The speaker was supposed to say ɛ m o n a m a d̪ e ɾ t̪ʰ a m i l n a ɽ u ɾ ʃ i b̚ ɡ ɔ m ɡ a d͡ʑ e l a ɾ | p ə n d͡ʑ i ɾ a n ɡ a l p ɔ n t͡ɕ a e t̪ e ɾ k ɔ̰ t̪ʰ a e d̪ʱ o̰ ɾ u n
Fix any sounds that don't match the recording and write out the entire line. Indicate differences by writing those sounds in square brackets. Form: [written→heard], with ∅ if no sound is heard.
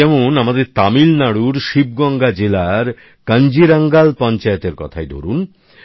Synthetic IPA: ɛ m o n a m a d̪ e ɾ [t̪ʰ→t̪] a m i l n a ɽ u ɾ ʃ i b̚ ɡ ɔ [m→ŋ] ɡ a d͡ʑ e l a ɾ | [p→k] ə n d͡ʑ i ɾ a [n→ŋ] ɡ a l p ɔ n t͡ɕ a e t̪ e ɾ k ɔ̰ t̪ʰ a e d̪ʱ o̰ ɾ u n